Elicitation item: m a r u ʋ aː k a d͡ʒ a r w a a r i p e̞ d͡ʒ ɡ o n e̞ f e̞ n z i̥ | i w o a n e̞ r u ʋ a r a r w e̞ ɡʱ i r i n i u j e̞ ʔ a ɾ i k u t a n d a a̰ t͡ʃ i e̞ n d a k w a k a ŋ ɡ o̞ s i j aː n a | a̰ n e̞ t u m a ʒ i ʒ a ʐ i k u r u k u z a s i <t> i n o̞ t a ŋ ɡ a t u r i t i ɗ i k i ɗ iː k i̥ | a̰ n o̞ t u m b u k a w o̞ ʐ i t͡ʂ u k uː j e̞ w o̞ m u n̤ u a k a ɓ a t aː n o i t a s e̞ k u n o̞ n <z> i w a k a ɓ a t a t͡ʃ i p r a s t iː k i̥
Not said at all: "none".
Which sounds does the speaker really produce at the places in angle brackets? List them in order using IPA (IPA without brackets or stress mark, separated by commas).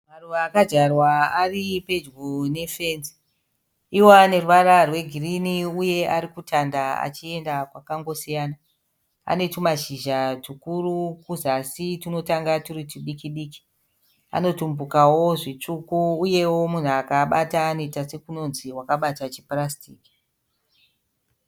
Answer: t, z